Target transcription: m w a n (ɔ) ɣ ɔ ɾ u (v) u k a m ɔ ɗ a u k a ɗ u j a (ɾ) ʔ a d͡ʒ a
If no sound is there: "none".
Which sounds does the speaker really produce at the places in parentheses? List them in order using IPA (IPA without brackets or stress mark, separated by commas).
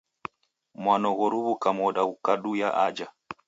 ɔ, β, none